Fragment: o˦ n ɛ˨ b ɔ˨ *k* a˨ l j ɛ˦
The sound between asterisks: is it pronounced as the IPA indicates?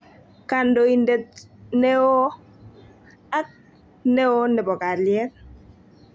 yes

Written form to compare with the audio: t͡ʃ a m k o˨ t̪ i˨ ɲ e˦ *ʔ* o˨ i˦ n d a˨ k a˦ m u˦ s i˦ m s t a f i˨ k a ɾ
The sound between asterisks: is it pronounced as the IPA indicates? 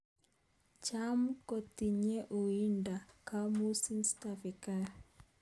yes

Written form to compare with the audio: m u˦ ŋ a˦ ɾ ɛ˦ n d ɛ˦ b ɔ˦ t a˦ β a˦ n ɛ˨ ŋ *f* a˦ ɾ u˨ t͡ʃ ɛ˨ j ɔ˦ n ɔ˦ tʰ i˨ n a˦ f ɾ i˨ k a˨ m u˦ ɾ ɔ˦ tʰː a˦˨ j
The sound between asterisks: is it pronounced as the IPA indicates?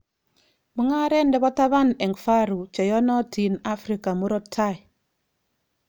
yes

